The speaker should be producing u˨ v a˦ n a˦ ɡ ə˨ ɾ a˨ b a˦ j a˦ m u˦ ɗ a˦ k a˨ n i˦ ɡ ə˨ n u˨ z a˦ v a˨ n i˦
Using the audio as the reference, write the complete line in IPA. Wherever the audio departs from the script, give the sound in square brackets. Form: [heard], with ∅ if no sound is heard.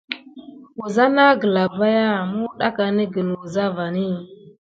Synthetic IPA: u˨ [z] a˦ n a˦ ɡ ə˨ [l] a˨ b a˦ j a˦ m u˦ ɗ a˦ k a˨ n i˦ ɡ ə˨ n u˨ z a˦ v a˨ n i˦